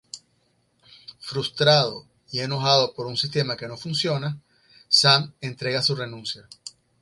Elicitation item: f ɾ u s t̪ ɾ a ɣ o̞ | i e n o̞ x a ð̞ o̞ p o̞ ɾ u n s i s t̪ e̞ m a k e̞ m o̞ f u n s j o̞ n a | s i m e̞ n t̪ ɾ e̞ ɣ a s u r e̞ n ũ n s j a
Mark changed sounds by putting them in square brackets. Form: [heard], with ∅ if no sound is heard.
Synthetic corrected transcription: f ɾ u s t̪ ɾ a [ð] o̞ | i e n o̞ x a ð̞ o̞ p o̞ ɾ u n s i s t̪ e̞ m a k e̞ [n] o̞ f u n s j o̞ n a | s [a] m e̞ n t̪ ɾ e̞ ɣ a s u r e̞ n ũ n s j a